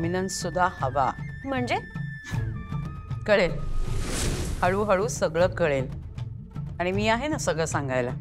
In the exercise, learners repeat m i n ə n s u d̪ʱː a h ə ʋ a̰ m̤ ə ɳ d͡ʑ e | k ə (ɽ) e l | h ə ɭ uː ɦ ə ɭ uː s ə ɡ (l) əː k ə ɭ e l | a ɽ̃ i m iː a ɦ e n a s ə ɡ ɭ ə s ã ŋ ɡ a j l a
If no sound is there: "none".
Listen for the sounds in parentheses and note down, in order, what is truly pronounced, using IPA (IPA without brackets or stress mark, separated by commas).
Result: ɭ, ɭ